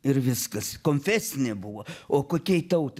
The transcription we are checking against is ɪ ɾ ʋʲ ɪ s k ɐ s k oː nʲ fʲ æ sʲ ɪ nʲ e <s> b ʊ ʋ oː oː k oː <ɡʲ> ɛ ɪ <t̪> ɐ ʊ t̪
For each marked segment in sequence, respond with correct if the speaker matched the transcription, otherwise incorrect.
incorrect: none, incorrect: kʲ, correct

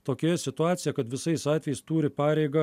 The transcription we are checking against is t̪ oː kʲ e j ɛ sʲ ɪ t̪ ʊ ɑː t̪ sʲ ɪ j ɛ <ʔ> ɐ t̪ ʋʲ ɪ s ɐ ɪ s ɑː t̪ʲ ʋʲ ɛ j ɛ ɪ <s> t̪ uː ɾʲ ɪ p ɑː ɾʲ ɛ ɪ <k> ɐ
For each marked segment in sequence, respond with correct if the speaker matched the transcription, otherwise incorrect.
incorrect: k, correct, incorrect: ɡ

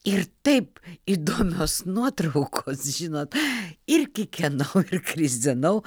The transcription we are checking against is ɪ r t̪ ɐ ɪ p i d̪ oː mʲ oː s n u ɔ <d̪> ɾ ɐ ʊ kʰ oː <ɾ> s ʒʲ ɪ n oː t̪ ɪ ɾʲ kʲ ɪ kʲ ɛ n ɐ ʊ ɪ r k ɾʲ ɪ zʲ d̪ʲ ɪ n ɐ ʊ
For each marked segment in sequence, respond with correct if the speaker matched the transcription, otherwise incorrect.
incorrect: t̪, incorrect: none

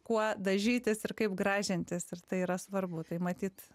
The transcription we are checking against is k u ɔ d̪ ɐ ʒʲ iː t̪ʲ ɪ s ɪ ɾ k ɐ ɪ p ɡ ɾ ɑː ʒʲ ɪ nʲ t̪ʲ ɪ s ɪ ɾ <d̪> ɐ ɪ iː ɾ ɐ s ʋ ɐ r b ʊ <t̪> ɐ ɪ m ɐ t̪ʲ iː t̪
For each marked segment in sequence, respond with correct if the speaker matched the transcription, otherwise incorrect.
incorrect: t̪, correct

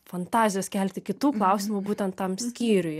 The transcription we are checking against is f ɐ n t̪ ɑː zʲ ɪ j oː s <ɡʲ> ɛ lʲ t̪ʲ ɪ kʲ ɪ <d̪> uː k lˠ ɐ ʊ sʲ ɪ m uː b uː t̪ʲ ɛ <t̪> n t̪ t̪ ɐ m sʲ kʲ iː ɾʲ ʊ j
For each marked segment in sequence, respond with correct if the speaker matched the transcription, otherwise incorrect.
incorrect: kʲ, incorrect: t̪, incorrect: none

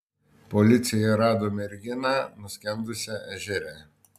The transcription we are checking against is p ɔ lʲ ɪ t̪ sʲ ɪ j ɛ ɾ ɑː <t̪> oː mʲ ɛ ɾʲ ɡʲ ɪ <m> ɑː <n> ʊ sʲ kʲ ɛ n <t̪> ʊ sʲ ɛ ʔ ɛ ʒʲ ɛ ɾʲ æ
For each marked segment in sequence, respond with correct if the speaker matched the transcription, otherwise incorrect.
incorrect: d̪, incorrect: n, correct, incorrect: d̪

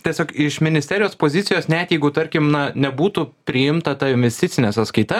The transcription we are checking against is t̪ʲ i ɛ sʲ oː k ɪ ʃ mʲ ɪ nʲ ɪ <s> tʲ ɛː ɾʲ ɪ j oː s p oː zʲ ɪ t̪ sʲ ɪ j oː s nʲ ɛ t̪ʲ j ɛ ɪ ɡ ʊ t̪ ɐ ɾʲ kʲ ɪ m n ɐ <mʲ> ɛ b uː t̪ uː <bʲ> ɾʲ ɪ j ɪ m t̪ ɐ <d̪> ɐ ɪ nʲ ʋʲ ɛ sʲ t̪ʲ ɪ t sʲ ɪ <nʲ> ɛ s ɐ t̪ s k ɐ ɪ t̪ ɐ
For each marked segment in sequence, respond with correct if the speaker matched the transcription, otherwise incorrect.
correct, incorrect: nʲ, incorrect: pʲ, incorrect: t̪, correct

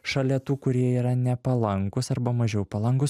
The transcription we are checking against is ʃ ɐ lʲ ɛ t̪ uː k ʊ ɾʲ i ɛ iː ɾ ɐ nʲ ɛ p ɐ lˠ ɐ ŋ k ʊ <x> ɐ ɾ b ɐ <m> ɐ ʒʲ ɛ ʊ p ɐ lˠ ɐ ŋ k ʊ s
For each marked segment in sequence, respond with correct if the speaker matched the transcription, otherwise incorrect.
incorrect: s, correct

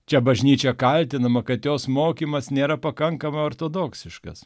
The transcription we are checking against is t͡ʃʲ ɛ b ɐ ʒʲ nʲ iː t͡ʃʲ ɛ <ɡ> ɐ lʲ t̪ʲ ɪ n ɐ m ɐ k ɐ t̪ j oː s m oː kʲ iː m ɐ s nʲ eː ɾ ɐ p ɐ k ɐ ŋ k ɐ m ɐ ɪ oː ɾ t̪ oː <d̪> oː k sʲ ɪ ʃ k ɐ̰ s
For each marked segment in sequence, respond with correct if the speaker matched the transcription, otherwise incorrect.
incorrect: k, correct

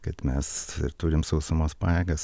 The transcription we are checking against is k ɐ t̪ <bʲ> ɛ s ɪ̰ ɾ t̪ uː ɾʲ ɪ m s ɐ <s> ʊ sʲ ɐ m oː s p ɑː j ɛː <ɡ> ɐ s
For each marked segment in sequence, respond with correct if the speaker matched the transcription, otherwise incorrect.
incorrect: mʲ, incorrect: none, correct

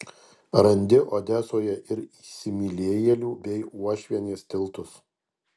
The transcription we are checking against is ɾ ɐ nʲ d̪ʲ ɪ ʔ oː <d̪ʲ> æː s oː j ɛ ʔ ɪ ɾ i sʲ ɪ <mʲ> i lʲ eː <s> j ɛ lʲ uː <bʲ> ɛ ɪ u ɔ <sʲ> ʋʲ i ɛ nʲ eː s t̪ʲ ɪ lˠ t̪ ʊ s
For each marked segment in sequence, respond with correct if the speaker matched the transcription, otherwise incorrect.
correct, correct, incorrect: none, correct, incorrect: ʃʲ

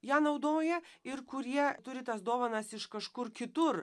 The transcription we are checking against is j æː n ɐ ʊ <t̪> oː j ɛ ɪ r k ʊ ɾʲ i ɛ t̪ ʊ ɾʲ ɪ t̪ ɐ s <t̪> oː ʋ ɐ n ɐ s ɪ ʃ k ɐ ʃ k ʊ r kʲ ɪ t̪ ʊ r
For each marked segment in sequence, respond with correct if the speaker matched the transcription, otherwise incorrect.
incorrect: d̪, incorrect: d̪

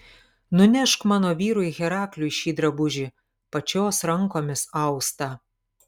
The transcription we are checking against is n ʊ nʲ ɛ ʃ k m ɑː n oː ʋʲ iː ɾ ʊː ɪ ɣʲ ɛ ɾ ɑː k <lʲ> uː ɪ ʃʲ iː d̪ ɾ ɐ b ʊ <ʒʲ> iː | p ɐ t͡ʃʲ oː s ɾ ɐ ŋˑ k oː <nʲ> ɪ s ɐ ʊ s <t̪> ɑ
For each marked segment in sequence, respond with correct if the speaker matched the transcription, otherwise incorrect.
correct, correct, incorrect: mʲ, correct

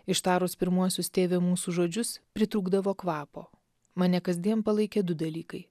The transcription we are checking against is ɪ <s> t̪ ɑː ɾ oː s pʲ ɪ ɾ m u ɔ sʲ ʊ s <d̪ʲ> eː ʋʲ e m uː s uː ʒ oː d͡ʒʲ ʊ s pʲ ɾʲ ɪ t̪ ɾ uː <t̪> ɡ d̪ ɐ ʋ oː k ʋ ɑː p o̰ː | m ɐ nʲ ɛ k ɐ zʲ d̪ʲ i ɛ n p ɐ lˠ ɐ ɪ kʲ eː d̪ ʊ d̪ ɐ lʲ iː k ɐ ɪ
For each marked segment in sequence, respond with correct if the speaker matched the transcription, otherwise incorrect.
incorrect: ʃ, incorrect: t̪ʲ, incorrect: none

